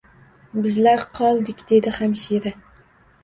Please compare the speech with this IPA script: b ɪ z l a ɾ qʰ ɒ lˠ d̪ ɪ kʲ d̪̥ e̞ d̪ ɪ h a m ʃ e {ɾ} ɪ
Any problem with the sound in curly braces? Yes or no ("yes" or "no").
no